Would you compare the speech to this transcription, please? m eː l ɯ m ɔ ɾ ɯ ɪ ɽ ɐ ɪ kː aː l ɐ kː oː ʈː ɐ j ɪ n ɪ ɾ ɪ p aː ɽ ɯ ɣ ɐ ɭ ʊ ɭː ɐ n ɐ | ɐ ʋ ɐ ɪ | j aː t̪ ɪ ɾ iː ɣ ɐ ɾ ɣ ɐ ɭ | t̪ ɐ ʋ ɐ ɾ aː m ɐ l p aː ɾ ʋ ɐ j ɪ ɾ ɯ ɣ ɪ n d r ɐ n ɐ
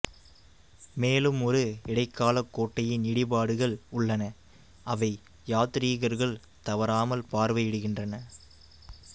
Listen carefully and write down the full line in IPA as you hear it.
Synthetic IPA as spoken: m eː l ɯ m ɔ ɾ ɯ ɪ ɽ ɐ ɪ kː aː l ɐ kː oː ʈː ɐ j ɪ n ɪ ɽ ɪ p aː ɽ ɯ ɣ ɐ ɭ ʊ ɭː ɐ n ɐ | ɐ ʋ ɐ ɪ | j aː t̪ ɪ ɾ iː ɣ ɐ ɾ ɣ ɐ ɭ | t̪ ɐ ʋ ɐ ɾ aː m ɐ l p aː ɾ ʋ ɐ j ɪ ɽ ɯ ɣ ɪ n d r ɐ n ɐ

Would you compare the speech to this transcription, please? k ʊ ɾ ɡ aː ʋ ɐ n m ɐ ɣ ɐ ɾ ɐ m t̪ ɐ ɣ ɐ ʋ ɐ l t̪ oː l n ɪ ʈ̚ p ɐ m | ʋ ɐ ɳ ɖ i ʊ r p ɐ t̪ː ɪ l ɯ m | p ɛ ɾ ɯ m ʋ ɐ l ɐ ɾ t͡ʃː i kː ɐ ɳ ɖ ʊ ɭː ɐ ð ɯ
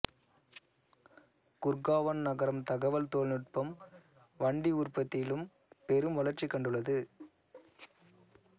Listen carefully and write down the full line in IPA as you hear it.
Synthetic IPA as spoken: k ʊ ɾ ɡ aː ʋ ɐ n n ɐ ɣ ɐ ɾ ɐ m t̪ ɐ ɣ ɐ ʋ ɐ l t̪ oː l n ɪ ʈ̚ p ɐ m | ʋ ɐ ɳ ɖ i ʊ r p ɐ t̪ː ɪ l ɯ m | p ɛ ɾ ɯ m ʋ ɐ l ɐ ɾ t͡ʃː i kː ɐ ɳ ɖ ɯ ɭː ɐ ð ɯ

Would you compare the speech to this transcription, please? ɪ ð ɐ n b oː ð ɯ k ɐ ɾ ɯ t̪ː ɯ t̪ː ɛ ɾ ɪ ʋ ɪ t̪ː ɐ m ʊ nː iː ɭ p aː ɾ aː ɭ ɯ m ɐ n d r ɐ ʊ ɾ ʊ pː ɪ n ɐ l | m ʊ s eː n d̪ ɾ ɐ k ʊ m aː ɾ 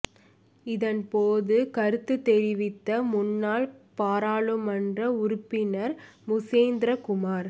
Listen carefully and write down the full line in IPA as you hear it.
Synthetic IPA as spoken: ɪ ð ɐ n p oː ð ɯ k ɐ ɾ ɯ t̪ː ɯ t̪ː ɛ ɾ ɪ ʋ ɪ t̪ː ɐ m ʊ nː aː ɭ p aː ɾ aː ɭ ɯ m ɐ n d r ɐ ʊ ɾ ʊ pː ɪ n ɐ ɾ | m ʊ s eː n d̪ ɾ ɐ k ʊ m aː ɾ

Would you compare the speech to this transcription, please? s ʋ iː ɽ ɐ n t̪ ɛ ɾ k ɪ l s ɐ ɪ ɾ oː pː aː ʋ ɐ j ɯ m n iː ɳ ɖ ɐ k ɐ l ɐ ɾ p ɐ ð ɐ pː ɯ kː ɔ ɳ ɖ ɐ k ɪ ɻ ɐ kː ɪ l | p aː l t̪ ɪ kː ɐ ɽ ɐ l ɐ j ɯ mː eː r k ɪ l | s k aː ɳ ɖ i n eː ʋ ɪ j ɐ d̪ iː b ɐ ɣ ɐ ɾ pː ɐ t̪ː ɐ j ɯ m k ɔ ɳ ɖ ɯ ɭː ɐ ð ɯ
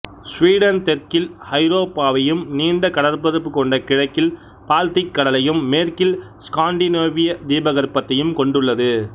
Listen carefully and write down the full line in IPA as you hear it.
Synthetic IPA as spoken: s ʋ iː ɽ ɐ n t̪ ɛ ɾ k ɪ l h ɐ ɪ ɾ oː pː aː ʋ ɐ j ɯ m n iː ɳ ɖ ɐ k ɐ ɽ ɐ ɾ p ɐ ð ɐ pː ɯ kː ɔ ɳ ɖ ɐ k ɪ ɻ ɐ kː ɪ l | p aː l t̪ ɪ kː ɐ ɽ ɐ l ɐ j ɯ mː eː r k ɪ l | s k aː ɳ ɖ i n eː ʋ ɪ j ɐ d̪ iː b ɐ ɣ ɐ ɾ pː ɐ t̪ː ɐ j ɯ m k ɔ ɳ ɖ ɯ ɭː ɐ ð ɯ

